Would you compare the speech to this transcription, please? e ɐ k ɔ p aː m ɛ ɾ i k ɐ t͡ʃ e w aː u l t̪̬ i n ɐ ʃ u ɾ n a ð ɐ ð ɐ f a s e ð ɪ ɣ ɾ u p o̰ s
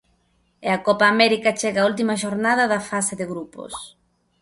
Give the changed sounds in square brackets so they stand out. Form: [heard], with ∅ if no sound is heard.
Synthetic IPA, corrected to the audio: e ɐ k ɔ p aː m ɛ ɾ i k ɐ t͡ʃ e [ɣ] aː u l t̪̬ i [m] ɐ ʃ [o] ɾ n a ð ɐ ð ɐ f a s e ð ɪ ɣ ɾ u p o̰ s